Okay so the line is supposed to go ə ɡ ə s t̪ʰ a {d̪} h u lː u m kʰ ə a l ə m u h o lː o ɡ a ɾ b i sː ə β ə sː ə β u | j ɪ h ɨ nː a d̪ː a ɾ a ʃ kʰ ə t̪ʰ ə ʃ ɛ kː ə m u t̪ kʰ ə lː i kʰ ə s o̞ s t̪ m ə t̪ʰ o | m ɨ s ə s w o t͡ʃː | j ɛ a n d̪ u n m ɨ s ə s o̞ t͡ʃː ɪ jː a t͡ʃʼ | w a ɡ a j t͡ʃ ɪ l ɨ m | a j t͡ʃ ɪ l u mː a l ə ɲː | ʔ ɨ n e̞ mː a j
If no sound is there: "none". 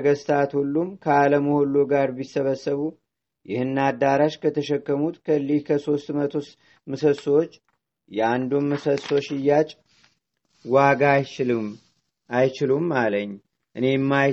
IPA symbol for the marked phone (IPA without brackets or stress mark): t̪